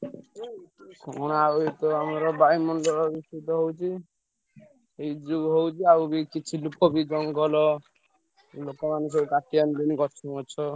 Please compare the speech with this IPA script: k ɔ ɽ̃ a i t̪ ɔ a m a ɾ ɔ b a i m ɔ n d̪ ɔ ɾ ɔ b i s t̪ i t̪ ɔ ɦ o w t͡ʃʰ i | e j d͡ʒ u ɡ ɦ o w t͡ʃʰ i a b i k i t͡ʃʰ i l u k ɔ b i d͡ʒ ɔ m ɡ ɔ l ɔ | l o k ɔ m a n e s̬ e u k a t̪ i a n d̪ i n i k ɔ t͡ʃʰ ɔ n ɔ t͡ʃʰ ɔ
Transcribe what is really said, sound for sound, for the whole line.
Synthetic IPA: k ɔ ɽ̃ a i t̪ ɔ a m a ɾ ɔ b a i m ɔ n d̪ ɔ ɾ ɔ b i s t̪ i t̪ ɔ ɦ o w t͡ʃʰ i | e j d͡ʒ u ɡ ɦ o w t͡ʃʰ i a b i k i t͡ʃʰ i l u k ɔ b i d͡ʒ ɔ ŋ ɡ ɔ l ɔ | l o k ɔ m a n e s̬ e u k a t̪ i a n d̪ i n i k ɔ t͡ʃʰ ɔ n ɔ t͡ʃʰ ɔ